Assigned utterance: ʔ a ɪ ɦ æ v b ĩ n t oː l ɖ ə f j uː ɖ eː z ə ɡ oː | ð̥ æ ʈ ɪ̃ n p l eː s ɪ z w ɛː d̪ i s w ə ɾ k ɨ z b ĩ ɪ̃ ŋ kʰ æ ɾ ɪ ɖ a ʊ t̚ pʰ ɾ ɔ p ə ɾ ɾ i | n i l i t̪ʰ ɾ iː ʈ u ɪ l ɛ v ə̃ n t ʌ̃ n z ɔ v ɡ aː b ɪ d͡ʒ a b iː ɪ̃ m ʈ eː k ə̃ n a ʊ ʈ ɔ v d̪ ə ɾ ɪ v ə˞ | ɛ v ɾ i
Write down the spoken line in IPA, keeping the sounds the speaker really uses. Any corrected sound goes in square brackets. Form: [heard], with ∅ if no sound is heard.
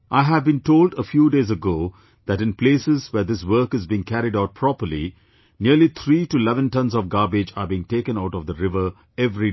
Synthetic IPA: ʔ a ɪ ɦ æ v b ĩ n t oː l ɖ ə f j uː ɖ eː z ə ɡ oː | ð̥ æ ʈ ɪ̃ n p l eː s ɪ z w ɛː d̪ [ɪ] s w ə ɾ k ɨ z b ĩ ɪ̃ ŋ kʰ æ ɾ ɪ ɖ a ʊ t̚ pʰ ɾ ɔ p ə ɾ [l] i | n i l i t̪ʰ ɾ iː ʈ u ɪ l ɛ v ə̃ n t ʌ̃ n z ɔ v ɡ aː b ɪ d͡ʒ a b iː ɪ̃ [ŋ] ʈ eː k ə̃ n a ʊ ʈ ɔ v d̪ ə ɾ ɪ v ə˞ | ɛ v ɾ i